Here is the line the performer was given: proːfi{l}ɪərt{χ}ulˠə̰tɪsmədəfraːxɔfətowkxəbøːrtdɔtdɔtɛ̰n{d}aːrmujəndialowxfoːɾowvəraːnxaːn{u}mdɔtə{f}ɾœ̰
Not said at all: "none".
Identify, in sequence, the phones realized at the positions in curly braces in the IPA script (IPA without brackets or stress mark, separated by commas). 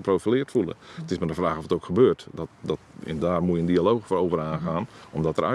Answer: l, f, d, ɔ, none